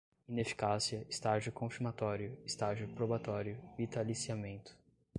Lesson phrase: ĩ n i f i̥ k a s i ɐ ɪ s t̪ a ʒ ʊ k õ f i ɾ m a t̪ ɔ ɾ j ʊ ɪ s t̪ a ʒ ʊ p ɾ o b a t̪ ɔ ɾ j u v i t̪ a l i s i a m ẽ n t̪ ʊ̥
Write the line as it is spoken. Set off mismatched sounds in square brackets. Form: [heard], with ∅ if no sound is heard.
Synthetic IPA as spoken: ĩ n [e] f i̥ k a s i ɐ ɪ s t̪ a ʒ ʊ k õ f i ɾ m a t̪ ɔ ɾ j ʊ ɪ s t̪ a ʒ ʊ p ɾ o b a t̪ ɔ ɾ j [ʊ] v i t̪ a l i s i a m ẽ n t̪ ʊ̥